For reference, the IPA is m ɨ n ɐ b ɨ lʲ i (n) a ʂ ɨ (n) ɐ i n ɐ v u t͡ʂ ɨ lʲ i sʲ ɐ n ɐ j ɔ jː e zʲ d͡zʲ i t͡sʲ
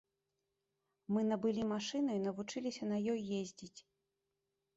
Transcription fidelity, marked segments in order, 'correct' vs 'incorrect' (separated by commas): incorrect, correct